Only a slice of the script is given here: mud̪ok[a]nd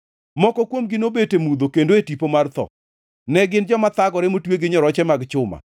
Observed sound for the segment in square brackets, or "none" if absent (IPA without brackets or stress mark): e